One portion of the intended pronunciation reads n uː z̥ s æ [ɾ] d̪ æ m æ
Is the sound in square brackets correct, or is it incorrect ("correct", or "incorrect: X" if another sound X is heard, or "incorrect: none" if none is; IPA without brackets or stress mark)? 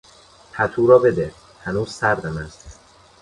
correct